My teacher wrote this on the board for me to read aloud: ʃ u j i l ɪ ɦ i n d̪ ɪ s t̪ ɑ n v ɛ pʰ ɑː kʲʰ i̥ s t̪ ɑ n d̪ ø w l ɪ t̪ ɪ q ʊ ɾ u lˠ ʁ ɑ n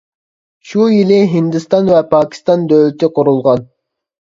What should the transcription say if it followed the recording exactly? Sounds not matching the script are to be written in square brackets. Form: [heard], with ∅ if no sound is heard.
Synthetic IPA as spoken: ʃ u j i l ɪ ɦ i n d̪ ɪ s t̪ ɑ n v ɛ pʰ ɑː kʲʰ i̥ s t̪ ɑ n d̪ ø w l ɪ t̪ ɪ q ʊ ɾ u lˠ ʁ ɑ n